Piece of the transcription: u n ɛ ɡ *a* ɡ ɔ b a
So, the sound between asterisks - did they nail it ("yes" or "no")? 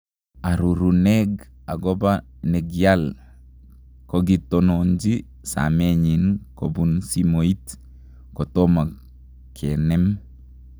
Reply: yes